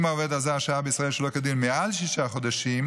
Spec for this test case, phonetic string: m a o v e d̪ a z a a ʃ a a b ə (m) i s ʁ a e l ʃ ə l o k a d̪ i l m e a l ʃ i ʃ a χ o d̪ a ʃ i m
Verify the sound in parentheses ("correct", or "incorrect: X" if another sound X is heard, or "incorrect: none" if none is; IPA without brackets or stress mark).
incorrect: none